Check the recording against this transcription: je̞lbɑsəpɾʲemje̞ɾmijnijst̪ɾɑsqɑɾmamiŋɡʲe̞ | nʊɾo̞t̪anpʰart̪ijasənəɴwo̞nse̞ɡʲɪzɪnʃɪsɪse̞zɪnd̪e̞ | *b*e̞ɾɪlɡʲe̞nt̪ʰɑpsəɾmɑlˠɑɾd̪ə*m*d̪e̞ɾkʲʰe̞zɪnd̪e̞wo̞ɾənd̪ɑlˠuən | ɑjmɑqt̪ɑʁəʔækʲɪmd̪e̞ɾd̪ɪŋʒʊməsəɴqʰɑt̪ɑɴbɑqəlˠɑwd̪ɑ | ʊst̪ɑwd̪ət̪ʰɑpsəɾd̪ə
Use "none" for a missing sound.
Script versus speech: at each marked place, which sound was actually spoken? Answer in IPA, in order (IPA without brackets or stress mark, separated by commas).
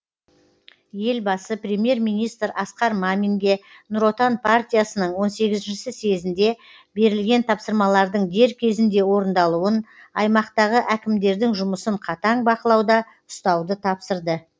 b, ɴ